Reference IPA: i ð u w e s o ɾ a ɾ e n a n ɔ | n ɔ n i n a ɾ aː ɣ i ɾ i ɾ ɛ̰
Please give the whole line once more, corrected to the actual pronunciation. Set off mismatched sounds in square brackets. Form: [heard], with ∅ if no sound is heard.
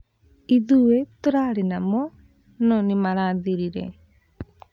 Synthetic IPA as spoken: i ð u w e [t] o ɾ a ɾ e n a [m] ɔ | n ɔ n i [m] a ɾ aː [ð] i ɾ i ɾ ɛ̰